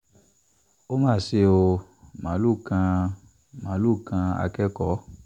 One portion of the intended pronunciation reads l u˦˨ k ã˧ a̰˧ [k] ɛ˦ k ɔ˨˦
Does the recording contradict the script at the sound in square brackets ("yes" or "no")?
no